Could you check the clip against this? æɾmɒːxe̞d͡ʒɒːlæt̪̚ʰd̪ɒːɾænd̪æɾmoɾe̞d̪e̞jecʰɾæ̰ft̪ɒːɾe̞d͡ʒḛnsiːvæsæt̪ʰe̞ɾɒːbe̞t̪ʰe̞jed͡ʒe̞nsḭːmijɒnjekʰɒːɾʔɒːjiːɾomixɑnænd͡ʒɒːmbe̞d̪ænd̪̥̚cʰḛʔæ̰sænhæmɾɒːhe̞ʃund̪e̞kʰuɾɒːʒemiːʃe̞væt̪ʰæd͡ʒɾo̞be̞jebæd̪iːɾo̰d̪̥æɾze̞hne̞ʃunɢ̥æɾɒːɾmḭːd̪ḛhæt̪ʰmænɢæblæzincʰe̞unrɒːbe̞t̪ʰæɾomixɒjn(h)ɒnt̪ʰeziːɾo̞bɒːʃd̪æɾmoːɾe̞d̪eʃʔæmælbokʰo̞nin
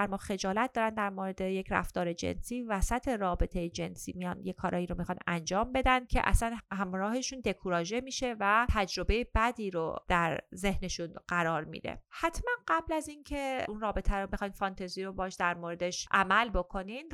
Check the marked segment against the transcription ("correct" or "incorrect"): incorrect